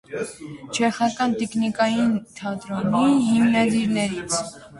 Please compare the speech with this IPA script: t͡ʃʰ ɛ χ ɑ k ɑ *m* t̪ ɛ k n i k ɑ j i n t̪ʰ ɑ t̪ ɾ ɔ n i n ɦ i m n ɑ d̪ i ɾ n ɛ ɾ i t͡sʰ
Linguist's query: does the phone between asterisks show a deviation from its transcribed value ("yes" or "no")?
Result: yes